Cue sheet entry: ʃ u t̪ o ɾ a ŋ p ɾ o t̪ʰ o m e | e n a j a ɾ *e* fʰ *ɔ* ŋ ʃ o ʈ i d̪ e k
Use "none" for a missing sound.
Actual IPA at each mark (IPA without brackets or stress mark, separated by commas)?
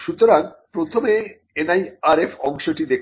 e, ɔ